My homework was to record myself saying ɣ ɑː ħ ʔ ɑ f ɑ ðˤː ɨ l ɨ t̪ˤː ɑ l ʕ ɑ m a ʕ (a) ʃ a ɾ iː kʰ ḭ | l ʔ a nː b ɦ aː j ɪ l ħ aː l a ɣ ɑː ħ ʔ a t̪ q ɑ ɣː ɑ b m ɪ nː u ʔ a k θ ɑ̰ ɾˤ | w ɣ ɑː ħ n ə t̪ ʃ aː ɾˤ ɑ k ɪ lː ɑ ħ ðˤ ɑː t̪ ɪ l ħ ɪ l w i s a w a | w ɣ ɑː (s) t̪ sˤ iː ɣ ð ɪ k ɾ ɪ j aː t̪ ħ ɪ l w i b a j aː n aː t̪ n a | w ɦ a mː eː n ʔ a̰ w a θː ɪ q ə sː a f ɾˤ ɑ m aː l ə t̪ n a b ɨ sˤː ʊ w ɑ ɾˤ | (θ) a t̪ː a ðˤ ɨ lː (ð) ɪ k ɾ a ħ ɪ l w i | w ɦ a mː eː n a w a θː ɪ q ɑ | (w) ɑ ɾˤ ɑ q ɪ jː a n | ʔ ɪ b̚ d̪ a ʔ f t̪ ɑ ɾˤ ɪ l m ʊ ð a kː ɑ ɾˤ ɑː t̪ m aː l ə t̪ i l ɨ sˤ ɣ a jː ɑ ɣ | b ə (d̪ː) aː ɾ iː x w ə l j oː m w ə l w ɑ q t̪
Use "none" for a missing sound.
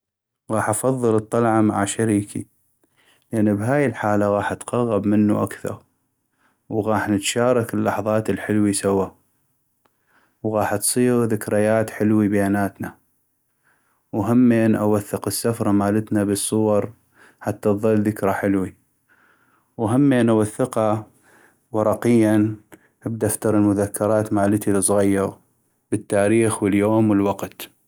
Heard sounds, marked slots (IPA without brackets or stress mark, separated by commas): a, ħ, ħ, ð, w, t̪ː